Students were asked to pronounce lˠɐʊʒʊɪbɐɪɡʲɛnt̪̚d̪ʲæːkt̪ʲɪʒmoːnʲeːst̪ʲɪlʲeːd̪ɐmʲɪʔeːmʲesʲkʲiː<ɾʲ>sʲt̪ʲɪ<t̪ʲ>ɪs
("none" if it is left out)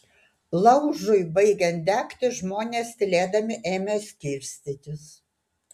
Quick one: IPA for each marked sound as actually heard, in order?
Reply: ɾʲ, t̪ʲ

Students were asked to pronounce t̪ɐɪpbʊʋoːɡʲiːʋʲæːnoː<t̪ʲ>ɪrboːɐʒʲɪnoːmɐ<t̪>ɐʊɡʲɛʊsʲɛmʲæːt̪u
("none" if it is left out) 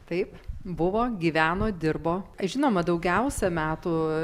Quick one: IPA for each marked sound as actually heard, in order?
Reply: d̪ʲ, d̪

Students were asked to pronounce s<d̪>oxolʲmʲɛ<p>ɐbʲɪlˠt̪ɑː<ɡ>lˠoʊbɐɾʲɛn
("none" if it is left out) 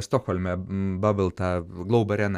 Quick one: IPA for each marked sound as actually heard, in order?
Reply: t̪, b, ɡ

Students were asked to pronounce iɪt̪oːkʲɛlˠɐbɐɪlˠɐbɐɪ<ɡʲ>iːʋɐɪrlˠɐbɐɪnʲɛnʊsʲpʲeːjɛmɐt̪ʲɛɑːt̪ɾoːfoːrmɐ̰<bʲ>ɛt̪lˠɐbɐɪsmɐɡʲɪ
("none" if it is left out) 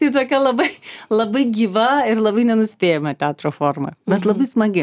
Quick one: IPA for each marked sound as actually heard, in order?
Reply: ɡʲ, bʲ

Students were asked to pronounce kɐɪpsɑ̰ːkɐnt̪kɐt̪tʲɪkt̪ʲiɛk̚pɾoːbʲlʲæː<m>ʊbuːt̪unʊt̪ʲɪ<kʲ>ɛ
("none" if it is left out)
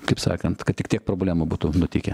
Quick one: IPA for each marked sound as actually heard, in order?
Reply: m, kʲ

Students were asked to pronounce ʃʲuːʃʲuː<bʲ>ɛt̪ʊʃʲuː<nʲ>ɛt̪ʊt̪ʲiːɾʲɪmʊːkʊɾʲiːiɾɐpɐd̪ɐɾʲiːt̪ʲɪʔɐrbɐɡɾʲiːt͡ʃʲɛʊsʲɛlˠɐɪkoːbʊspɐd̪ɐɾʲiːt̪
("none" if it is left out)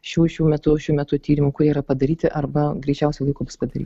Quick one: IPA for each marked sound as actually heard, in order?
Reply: mʲ, mʲ

